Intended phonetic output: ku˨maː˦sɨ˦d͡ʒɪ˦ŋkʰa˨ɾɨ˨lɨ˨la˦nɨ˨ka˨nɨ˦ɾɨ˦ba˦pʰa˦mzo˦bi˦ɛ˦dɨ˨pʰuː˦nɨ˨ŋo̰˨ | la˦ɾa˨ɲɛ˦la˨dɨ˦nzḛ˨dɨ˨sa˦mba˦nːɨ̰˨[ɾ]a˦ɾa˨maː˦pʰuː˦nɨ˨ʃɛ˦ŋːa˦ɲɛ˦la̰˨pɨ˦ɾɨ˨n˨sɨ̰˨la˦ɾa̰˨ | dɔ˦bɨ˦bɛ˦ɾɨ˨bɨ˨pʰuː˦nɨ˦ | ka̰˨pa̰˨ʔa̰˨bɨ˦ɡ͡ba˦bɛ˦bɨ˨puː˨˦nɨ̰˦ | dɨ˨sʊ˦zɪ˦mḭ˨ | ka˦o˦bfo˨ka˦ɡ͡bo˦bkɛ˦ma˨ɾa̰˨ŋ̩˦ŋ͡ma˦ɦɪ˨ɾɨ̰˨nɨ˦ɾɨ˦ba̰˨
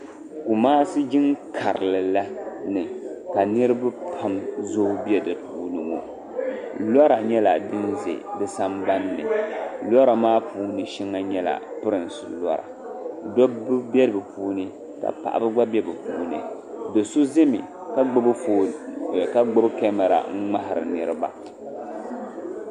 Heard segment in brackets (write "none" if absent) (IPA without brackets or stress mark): l